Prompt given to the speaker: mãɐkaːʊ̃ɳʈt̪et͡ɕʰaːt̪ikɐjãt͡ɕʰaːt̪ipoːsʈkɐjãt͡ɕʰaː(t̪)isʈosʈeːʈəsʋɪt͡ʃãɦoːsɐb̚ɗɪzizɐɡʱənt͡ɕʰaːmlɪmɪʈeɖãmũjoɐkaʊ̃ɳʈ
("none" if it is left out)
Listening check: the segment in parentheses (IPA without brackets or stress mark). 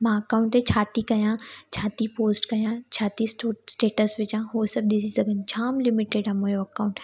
t̪